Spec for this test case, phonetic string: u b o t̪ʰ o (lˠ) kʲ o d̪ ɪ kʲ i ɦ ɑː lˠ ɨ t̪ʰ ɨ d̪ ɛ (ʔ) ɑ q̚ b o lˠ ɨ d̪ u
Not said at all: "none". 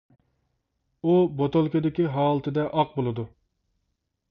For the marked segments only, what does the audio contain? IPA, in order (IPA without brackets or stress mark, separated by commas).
lˠ, ʔ